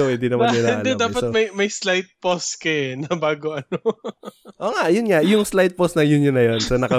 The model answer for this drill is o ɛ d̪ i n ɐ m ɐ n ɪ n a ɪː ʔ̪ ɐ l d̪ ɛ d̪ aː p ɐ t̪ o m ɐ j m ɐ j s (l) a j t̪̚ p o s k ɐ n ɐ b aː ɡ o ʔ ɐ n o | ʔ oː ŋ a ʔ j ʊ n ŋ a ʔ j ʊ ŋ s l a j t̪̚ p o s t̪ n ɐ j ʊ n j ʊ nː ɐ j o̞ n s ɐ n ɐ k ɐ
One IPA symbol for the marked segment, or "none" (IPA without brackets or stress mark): l